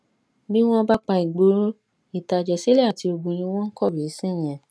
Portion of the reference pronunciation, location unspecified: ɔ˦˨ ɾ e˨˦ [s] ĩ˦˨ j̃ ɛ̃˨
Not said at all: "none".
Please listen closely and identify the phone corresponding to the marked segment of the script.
s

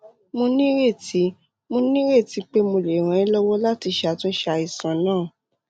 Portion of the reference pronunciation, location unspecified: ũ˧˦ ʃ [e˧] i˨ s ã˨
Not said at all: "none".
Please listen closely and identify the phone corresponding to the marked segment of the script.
a˧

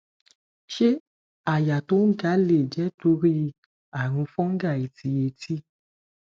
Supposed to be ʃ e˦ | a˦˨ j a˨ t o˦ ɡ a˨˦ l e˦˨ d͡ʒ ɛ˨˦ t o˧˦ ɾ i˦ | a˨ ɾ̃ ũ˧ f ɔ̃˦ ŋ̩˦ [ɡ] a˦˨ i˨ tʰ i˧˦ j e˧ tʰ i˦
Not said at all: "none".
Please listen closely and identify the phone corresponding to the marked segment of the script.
ɡ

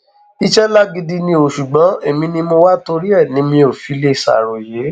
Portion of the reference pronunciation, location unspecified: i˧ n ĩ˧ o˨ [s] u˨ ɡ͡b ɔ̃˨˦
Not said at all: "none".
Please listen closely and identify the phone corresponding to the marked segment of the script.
ʃ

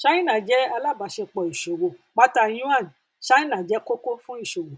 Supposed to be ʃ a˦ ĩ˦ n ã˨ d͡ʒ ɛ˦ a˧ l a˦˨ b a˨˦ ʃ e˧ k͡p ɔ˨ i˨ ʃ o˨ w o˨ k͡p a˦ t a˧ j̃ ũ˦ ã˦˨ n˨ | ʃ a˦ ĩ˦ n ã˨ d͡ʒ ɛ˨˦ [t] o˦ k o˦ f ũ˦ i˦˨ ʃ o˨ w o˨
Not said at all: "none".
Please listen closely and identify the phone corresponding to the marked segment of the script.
k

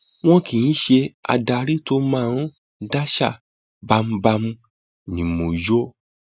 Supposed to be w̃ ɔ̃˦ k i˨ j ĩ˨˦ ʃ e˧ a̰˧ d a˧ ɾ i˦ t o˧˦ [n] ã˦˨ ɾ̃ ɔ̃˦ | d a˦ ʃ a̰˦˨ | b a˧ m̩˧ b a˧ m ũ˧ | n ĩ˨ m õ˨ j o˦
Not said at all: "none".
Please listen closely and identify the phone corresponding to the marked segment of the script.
m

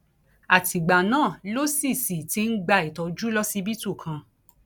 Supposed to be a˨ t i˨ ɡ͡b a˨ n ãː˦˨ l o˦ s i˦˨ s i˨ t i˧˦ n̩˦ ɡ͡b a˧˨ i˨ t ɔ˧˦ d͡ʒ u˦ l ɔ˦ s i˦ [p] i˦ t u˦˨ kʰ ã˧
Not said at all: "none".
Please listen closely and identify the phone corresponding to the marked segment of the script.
b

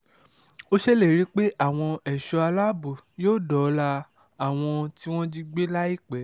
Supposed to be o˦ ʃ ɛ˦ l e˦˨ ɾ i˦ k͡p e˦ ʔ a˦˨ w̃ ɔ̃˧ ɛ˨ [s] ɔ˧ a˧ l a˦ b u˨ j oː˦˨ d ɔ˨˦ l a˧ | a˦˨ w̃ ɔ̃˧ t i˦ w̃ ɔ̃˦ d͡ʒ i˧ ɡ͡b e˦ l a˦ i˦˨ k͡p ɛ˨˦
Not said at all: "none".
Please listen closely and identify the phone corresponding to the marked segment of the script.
ʃ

